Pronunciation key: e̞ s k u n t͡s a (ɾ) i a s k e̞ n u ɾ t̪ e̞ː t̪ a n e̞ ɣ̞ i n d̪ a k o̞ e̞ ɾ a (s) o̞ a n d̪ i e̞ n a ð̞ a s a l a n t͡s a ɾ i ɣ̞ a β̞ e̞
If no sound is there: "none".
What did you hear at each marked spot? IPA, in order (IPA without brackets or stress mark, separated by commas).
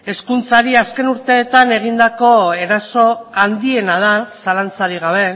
ɾ, s